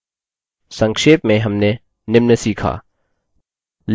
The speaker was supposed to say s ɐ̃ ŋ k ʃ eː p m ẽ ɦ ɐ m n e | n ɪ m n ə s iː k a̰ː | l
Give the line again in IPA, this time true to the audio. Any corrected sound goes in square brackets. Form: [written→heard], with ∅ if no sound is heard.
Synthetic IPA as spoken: s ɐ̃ ŋ k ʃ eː p m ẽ ɦ ɐ m n e | n ɪ m n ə s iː [k→kʰ] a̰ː | l